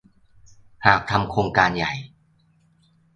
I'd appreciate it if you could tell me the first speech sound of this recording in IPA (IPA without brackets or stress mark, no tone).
h